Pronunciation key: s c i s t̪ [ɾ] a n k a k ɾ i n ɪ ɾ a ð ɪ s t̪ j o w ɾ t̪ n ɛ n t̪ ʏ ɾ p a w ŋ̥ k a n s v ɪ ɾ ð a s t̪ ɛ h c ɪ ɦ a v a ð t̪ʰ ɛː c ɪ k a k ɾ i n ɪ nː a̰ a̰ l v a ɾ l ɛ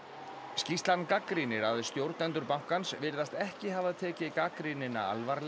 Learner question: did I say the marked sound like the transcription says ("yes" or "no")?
no